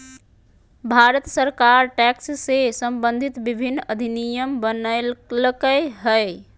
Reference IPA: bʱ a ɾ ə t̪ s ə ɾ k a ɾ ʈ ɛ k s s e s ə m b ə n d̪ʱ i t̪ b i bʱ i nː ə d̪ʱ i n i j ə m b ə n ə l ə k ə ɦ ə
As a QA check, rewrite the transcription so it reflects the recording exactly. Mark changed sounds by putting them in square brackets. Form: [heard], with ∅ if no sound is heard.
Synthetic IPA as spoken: bʱ a ɾ ə t̪ s ə ɾ k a ɾ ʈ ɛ k s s e s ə m b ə n d̪ʱ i t̪ b i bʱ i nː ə d̪ʱ i n i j ə m b ə n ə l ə k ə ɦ ə